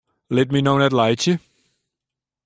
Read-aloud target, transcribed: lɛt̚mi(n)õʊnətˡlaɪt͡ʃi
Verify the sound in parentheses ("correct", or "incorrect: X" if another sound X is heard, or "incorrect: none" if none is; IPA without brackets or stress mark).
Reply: correct